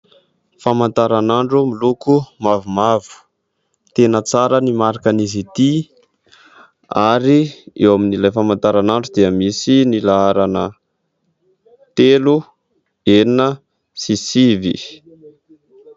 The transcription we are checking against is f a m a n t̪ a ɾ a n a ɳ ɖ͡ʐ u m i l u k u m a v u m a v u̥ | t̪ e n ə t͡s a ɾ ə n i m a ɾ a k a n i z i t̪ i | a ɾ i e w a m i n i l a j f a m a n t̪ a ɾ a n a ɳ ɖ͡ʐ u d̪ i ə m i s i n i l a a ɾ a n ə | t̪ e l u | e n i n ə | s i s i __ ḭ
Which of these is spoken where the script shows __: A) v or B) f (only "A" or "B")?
A